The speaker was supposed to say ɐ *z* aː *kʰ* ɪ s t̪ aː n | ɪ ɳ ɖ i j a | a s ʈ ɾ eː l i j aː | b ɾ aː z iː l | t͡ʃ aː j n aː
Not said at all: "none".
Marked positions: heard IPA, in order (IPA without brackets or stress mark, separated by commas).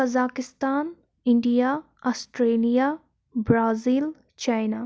z, k